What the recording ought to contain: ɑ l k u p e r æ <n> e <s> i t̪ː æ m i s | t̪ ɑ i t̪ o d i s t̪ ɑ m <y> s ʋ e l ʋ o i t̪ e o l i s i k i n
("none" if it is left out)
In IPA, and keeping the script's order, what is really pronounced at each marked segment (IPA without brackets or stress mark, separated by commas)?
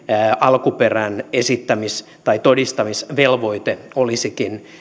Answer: n, s, i